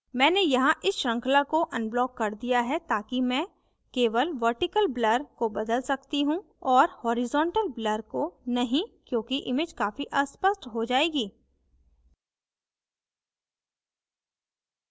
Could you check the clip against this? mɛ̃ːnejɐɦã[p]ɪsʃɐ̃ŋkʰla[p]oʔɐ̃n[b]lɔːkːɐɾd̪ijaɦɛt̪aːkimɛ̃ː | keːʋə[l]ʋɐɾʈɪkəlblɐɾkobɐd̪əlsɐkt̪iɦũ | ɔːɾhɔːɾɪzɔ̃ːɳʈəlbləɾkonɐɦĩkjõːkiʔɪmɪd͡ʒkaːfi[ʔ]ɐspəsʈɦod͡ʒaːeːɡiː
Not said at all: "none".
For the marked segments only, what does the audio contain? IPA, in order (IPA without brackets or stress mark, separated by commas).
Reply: ʔ, k, b, l, ʔ